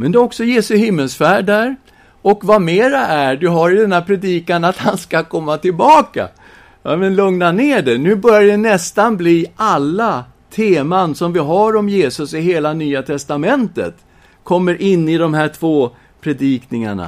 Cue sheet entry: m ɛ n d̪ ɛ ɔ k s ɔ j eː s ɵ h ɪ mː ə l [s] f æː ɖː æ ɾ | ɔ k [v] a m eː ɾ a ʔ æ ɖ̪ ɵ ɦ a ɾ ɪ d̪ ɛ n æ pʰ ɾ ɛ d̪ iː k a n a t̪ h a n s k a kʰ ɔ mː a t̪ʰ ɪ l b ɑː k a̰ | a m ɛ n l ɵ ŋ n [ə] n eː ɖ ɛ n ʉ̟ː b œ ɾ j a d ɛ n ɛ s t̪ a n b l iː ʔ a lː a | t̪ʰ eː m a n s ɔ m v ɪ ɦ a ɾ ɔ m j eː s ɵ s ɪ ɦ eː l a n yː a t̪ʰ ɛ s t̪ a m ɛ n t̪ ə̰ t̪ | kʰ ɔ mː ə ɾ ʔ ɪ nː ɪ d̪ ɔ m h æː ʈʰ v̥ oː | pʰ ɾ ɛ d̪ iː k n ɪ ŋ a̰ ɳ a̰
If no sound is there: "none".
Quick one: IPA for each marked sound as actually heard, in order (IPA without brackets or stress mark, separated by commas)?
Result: s, v, a